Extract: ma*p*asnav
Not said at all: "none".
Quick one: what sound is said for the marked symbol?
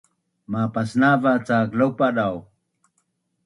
p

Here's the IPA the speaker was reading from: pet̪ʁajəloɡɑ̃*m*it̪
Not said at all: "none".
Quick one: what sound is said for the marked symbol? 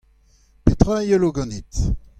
n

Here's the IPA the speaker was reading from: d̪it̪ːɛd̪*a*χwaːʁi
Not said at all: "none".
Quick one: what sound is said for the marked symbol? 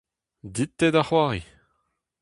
a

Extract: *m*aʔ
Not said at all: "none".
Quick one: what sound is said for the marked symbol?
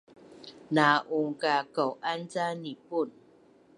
n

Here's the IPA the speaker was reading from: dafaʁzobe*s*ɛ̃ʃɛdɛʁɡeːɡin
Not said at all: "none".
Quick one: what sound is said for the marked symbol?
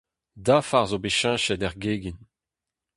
ʃ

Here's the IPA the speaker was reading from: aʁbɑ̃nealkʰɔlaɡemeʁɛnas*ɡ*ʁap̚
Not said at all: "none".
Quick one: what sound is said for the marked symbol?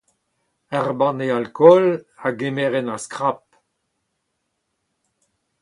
k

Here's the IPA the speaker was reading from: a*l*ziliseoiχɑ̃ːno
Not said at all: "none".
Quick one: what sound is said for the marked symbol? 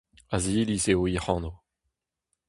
none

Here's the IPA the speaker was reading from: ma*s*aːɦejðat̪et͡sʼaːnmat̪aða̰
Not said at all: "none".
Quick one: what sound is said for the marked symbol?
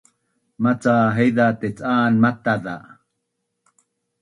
t͡s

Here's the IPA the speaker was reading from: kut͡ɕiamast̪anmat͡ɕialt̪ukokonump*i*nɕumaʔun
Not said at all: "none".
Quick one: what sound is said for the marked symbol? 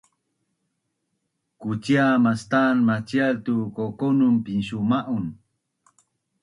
i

